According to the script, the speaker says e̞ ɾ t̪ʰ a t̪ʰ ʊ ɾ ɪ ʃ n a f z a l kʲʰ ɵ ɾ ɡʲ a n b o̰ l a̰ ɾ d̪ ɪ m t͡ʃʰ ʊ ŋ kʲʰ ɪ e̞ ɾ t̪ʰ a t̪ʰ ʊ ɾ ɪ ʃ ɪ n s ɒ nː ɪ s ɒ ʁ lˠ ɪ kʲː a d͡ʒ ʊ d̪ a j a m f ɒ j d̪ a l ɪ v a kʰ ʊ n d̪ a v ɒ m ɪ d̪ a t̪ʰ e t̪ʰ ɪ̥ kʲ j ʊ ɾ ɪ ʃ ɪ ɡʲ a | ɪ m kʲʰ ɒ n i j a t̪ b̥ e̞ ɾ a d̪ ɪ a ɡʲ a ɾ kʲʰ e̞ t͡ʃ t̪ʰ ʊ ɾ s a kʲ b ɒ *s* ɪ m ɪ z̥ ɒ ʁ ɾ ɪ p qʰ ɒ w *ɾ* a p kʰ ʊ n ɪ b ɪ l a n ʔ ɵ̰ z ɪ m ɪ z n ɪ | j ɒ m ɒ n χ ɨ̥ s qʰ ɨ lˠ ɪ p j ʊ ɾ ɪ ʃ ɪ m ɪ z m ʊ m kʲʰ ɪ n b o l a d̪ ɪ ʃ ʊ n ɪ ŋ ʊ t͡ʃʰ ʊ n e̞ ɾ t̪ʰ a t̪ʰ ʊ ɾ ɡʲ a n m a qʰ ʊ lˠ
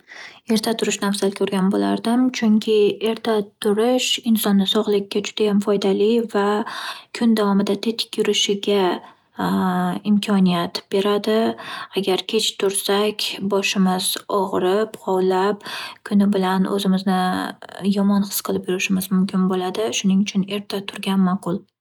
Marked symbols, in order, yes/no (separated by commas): no, no